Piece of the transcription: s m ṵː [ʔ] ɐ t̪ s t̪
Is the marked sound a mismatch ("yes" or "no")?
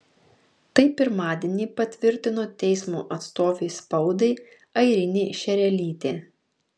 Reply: no